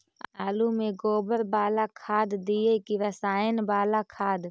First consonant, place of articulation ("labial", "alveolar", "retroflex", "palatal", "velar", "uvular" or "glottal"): alveolar